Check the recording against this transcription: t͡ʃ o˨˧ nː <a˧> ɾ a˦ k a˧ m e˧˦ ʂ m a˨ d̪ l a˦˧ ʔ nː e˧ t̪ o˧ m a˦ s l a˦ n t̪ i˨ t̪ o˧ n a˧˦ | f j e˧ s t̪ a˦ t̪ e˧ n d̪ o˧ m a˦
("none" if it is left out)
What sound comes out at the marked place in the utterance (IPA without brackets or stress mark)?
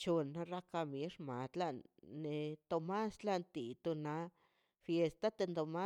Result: a˧